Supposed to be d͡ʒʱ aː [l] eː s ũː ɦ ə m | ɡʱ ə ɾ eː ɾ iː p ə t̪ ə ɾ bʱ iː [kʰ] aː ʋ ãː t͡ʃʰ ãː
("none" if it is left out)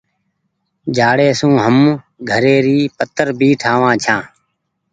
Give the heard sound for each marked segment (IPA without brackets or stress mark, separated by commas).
ɽ, ʈʰ